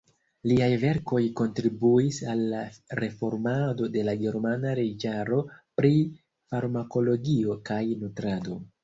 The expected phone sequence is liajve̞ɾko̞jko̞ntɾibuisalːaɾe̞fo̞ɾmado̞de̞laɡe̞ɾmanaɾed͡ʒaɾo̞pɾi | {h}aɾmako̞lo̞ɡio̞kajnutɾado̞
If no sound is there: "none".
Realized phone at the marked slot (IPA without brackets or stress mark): f